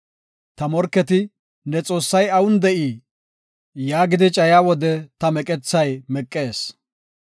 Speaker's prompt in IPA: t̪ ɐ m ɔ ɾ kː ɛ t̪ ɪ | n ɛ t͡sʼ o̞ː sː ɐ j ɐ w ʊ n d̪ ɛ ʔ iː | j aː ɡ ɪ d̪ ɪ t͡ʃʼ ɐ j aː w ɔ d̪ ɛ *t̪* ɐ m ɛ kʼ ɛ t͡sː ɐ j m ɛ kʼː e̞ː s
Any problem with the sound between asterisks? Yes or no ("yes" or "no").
no